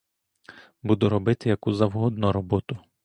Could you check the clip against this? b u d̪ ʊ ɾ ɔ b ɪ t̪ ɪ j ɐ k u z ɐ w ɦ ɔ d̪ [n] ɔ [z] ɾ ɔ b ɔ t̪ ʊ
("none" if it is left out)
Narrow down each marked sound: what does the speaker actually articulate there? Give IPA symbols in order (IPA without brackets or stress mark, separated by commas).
n, none